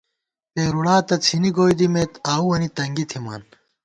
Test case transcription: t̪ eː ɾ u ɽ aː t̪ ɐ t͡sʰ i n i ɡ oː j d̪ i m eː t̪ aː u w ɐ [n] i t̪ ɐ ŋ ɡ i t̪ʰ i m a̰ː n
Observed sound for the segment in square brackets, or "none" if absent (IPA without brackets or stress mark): n